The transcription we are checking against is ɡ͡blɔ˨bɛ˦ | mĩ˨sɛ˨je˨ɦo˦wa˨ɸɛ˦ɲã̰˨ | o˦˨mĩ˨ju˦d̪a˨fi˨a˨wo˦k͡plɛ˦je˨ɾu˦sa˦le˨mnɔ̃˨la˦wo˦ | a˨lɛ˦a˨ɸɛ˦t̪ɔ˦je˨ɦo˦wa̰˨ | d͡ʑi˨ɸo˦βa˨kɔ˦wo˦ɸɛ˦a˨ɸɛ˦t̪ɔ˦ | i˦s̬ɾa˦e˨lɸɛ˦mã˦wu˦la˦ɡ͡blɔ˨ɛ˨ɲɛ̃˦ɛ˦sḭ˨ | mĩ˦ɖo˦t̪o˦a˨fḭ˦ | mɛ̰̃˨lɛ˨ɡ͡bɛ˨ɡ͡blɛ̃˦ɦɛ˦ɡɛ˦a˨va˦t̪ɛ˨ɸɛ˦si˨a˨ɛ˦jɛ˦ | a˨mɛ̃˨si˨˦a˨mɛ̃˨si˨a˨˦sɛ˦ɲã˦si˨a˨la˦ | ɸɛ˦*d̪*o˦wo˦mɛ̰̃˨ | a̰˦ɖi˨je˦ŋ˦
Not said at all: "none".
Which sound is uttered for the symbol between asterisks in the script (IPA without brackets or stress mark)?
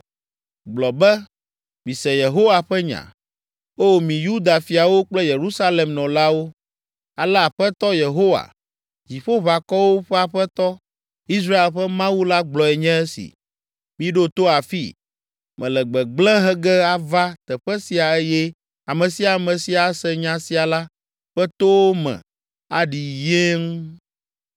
t̪